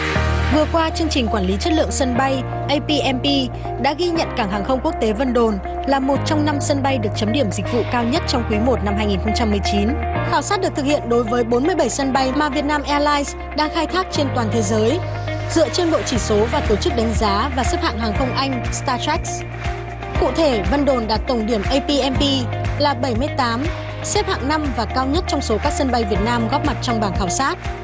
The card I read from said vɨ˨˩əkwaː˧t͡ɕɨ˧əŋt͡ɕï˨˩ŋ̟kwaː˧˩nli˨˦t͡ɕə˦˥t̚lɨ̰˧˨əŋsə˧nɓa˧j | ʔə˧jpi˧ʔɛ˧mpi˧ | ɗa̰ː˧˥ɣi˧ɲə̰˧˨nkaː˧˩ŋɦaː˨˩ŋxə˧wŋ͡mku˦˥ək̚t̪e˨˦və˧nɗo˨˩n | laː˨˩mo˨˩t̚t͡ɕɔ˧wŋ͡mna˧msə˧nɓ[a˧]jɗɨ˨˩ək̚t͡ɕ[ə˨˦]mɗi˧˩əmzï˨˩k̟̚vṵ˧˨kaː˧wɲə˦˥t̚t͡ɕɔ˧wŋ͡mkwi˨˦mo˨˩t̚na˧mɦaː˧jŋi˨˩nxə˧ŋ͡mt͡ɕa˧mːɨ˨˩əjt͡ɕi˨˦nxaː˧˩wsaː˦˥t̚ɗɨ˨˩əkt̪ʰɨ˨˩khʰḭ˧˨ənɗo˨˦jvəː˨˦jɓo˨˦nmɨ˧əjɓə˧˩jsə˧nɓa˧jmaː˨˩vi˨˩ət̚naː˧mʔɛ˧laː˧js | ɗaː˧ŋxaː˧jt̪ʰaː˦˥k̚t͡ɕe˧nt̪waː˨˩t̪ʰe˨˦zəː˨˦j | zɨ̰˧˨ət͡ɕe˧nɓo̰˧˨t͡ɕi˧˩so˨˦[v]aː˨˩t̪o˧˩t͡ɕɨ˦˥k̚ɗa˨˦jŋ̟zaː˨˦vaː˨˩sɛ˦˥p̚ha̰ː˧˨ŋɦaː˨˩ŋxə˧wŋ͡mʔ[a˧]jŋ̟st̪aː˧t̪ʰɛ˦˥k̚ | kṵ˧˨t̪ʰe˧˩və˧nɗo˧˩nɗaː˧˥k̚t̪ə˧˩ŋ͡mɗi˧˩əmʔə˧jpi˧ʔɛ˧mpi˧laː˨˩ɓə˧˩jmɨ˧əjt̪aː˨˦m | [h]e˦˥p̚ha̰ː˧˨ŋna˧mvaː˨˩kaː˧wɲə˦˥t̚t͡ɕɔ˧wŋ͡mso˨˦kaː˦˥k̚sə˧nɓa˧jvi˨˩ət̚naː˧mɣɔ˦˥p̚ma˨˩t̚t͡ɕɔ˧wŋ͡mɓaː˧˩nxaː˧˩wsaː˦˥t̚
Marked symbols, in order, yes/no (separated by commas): yes, yes, yes, yes, no